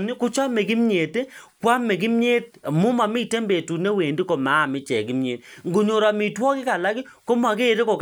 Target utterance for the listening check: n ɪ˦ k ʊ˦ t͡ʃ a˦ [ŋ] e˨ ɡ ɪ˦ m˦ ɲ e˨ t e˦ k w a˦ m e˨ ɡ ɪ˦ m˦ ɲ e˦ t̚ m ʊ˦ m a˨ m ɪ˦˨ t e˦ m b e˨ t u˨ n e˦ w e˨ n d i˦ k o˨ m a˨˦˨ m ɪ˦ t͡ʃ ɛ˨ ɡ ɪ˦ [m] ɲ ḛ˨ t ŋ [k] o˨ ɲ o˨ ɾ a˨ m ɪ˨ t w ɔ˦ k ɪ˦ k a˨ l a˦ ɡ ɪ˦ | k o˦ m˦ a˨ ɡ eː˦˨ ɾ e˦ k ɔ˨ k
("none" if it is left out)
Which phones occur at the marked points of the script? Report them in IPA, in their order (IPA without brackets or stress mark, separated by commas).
m, m, ɡ